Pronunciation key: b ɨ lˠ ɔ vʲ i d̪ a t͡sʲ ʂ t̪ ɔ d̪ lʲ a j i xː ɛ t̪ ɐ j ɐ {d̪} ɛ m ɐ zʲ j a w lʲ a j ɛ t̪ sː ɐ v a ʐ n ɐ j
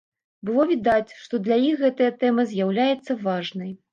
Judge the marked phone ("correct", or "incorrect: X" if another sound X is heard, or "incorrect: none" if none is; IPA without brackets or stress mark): incorrect: t̪